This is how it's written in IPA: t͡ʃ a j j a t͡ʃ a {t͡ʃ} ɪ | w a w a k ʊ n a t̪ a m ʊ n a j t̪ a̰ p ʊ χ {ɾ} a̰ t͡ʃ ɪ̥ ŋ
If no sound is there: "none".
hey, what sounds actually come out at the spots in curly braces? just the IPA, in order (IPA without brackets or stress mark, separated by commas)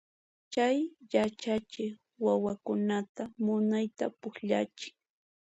t͡ʃ, ʎ